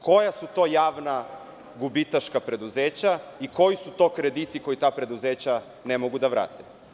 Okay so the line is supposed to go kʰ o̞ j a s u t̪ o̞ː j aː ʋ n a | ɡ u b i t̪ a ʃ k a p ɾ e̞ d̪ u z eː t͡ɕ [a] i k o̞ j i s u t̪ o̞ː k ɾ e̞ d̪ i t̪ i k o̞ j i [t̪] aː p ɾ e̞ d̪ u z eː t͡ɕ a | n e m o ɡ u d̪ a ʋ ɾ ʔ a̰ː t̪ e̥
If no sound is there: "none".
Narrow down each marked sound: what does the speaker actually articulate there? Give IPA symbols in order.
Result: a, t̪

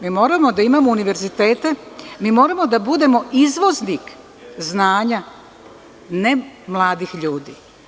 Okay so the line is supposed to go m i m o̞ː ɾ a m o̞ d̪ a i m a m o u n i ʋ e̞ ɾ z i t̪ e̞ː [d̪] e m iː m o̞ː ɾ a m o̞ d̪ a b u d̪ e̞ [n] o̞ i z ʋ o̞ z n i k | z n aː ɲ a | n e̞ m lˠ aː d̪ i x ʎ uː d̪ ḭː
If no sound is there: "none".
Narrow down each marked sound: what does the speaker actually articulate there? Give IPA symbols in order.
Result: t̪, m

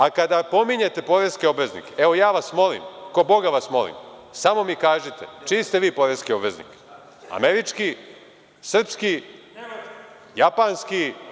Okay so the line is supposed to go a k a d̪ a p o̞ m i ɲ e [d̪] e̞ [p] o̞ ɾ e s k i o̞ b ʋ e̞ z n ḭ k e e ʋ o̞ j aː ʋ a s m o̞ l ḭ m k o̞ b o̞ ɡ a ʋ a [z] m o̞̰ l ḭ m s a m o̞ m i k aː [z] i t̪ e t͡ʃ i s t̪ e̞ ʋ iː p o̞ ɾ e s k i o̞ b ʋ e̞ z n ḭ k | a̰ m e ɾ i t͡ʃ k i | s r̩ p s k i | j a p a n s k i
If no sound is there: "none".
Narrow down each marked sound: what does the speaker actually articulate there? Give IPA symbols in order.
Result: t̪, p, s, ʒ

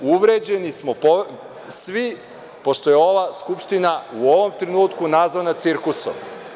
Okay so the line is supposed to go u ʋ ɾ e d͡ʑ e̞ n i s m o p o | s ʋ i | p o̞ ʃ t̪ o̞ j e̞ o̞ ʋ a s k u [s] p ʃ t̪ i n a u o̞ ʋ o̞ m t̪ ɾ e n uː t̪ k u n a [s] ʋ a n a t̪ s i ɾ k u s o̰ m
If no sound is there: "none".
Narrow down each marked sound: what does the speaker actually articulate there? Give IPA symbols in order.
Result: none, z

